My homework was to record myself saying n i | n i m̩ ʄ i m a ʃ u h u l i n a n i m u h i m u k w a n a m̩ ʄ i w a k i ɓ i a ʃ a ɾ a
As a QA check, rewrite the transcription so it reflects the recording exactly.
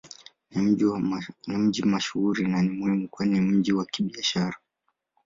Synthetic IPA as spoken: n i | n i m̩ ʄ i m a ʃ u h u ɾ i n a n i m u h i m u k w a n i m̩ ʄ i w a k i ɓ i a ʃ a ɾ a